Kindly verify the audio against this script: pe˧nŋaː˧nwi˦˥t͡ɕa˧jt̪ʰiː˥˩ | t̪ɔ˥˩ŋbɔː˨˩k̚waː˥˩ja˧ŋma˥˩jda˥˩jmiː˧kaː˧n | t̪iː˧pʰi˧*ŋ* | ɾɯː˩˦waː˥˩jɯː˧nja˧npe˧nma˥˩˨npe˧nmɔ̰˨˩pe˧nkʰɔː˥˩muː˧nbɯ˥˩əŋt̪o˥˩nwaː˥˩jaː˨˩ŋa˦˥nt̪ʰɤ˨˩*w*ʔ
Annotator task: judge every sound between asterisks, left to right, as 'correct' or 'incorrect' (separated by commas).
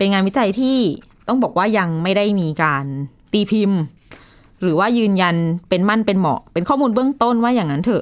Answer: incorrect, incorrect